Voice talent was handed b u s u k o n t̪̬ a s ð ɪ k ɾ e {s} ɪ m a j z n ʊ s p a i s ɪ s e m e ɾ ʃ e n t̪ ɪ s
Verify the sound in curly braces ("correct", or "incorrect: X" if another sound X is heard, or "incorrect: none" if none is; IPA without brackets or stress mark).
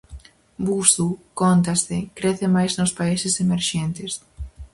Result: incorrect: θ